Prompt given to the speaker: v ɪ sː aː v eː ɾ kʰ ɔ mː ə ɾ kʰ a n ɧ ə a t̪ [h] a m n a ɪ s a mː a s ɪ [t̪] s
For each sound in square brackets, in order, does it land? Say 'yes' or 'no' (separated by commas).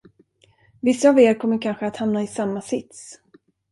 yes, yes